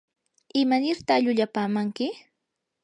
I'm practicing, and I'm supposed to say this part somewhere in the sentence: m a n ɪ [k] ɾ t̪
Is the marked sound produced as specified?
no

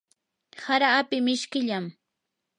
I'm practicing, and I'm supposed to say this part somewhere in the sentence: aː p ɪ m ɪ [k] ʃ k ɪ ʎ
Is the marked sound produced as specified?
no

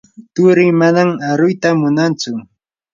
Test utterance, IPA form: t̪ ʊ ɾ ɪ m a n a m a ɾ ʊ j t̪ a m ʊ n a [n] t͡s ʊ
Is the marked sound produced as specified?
yes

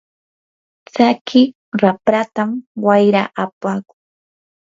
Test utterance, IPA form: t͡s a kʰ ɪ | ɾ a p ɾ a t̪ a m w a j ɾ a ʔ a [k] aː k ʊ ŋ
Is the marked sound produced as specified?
no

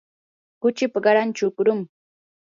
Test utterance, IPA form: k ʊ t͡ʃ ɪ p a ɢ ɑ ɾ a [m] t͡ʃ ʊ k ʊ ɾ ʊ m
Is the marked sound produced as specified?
no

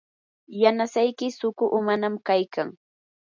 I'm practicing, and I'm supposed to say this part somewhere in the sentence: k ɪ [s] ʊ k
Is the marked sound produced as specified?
yes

